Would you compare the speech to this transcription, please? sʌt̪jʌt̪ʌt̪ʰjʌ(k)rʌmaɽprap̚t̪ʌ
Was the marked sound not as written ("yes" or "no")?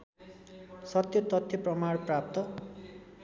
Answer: yes